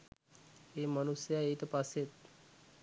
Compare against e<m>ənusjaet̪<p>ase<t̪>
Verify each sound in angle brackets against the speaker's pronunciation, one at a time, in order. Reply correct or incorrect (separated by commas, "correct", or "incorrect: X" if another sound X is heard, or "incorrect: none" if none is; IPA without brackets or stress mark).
correct, correct, correct